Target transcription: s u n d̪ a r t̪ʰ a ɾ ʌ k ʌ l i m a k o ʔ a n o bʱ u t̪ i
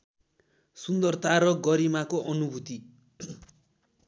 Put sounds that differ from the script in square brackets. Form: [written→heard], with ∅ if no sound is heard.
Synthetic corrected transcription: s u n d̪ [a→ʌ] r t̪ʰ a ɾ ʌ [k→ɡ] ʌ [l→ɾ] i m a k o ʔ [a→ʌ] n [o→u] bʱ u t̪ i